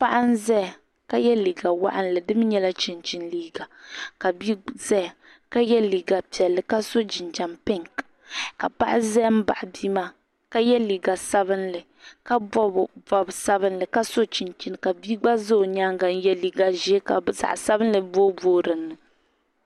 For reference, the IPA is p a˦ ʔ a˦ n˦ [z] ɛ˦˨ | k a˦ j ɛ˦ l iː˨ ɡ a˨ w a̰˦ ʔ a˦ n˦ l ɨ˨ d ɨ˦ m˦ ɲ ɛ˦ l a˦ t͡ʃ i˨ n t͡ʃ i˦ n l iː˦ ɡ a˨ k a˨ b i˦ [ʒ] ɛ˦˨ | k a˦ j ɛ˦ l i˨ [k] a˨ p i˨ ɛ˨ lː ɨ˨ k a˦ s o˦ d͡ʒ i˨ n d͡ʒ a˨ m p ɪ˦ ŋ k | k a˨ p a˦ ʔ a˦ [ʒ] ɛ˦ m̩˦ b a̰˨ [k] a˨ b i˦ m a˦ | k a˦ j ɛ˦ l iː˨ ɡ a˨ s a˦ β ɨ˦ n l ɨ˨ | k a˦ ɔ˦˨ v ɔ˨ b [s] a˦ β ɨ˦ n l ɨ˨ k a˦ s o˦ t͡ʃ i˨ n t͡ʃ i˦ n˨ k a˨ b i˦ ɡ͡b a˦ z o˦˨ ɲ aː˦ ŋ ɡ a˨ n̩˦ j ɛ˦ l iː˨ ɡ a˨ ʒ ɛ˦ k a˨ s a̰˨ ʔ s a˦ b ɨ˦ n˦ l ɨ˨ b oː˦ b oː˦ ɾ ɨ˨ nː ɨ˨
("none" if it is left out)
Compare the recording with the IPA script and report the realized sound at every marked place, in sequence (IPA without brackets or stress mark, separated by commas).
z, z, ɡ, z, ʔ, s